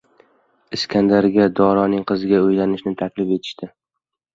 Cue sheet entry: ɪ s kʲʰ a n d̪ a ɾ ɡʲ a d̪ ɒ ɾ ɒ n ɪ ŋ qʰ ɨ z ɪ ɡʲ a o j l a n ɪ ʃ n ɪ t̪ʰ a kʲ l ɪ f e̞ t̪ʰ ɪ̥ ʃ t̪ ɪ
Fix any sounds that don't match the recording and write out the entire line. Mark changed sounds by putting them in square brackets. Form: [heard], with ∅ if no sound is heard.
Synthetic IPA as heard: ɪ s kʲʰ a n d̪ a ɾ ɡʲ a d̪ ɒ ɾ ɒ n ɪ ŋ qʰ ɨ z ɪ ɡʲ a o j l a n ɪ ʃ n ɪ t̪ʰ a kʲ l ɪ f e̞ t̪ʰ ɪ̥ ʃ t̪ ɪ